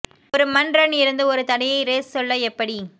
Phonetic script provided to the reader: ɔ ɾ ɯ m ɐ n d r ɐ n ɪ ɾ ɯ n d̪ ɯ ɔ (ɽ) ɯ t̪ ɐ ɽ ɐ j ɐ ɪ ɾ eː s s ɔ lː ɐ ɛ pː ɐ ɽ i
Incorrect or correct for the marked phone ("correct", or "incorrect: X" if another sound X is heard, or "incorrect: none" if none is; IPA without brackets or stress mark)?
incorrect: ɾ